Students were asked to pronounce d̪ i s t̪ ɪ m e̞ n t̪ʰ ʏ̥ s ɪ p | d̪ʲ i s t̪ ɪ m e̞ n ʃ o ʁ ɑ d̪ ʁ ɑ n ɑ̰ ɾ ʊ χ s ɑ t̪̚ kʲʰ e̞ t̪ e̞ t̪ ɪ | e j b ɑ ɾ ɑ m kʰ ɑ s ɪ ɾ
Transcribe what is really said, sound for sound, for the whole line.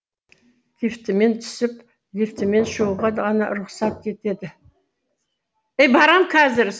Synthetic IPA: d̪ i f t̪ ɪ m e̞ n t̪ʰ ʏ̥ s ɪ p | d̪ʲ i f t̪ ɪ m e̞ n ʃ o ʁ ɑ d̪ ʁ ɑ n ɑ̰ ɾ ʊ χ s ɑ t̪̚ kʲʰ e̞ t̪ e̞ d̪ ɪ | e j b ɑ ɾ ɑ m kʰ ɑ z ɪ ɾ

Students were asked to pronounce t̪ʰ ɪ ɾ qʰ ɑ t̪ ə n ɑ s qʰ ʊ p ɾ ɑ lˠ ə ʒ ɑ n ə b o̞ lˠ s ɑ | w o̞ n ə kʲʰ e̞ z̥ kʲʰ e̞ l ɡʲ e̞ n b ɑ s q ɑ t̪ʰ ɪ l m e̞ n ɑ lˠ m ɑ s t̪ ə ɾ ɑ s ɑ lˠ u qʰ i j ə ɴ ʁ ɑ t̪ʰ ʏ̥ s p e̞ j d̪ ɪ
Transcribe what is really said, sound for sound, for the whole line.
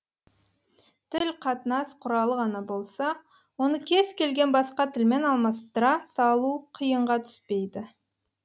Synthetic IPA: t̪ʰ ɪ l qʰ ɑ t̪ ə n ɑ s qʰ ʊ ɾ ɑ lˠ ə ʁ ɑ n ɑ b o̞ lˠ s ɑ | w o̞ n ə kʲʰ e̞ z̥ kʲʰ e̞ l ɡʲ e̞ n b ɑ s q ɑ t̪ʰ ɪ l m e̞ n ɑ lˠ m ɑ s t̪ ə ɾ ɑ s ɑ lˠ u qʰ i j ə ɴ ʁ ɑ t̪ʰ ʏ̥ s p e̞ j d̪ ɪ

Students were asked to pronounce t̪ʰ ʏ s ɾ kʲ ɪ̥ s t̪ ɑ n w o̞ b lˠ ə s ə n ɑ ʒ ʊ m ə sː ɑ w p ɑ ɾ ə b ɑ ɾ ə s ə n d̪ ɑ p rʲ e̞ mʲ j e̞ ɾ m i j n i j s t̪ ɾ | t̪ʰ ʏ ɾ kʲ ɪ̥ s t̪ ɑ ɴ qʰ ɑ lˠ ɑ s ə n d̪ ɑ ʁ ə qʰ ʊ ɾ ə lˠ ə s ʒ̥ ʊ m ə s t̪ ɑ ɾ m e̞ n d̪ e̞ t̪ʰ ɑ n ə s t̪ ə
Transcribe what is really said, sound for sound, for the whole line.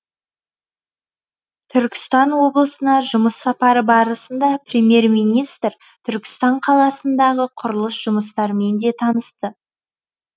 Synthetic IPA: t̪ʰ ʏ ɾ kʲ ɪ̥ s t̪ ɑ n w o̞ b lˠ ə s ə n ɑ ʒ ʊ m ə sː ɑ p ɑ ɾ ə b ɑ ɾ ə s ə n d̪ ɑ p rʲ e̞ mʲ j e̞ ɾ m i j n i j s t̪ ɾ | t̪ʰ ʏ ɾ kʲ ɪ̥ s t̪ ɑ ɴ qʰ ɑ lˠ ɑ s ə n d̪ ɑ ʁ ə qʰ ʊ ɾ ə lˠ ə s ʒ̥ ʊ m ə s t̪ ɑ ɾ m e̞ n d̪ e̞ t̪ʰ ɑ n ə s t̪ ə

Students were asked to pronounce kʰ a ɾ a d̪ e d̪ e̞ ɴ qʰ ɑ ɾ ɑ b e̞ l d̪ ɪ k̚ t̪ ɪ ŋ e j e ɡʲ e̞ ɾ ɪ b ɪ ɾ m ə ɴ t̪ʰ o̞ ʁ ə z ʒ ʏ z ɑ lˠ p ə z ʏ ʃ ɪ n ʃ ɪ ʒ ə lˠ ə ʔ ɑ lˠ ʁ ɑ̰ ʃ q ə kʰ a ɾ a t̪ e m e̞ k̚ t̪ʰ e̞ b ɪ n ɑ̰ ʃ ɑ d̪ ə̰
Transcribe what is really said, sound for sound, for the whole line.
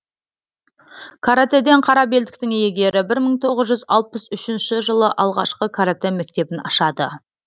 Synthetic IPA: kʰ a ɾ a t̪ e d̪ e̞ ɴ qʰ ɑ ɾ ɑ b e̞ l d̪ ɪ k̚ t̪ ɪ ŋ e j e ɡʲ e̞ ɾ ɪ b ɪ ɾ m ə ɴ t̪ʰ o̞ ʁ ə z ʒ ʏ z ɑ lˠ p ə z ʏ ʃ ɪ n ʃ ɪ ʒ ə lˠ ə ʔ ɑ lˠ ʁ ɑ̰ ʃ q ə kʰ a ɾ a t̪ e m e̞ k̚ t̪ e̞ b ɪ n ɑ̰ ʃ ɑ d̪ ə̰

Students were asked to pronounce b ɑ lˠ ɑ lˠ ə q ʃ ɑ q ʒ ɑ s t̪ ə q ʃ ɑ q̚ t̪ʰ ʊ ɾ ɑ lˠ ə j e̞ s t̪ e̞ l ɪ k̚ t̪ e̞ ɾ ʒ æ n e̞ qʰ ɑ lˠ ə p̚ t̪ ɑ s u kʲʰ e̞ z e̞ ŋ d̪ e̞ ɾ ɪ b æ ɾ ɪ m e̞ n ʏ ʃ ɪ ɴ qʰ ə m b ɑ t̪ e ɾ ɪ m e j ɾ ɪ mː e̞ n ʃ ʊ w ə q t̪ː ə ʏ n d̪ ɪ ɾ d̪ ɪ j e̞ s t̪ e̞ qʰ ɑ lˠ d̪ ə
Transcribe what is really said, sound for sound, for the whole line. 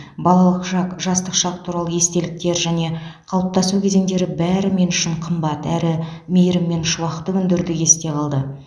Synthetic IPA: b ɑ lˠ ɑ lˠ ə q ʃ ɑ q ʒ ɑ s t̪ ə q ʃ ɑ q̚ t̪ʰ u ɾ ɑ lˠ ə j e̞ s t̪ e̞ l ɪ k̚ t̪ e̞ ɾ ʒ æ n e̞ qʰ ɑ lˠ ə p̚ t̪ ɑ s u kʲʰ e̞ z e̞ ŋ d̪ e̞ ɾ ɪ b æ ɾ ɪ m e̞ n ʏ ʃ ɪ ɴ qʰ ə m b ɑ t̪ æ ɾ ɪ m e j ɾ ɪ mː e̞ n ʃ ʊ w ɑ q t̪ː ə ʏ n d̪ ɪ ɾ d̪ ɪ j e̞ s t̪ e̞ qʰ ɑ lˠ d̪ ə

